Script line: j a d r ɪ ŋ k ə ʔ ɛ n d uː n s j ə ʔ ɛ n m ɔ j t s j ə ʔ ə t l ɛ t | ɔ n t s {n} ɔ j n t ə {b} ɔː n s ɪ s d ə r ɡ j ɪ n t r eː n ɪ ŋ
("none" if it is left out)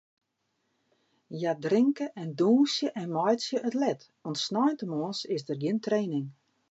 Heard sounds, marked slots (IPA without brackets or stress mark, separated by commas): n, m